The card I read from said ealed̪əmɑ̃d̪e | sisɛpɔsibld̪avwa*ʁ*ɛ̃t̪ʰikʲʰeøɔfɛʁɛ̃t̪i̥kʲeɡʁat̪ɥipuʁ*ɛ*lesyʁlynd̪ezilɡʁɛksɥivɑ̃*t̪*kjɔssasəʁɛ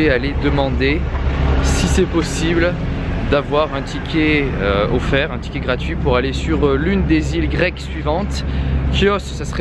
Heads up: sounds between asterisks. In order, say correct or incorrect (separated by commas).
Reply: correct, incorrect, correct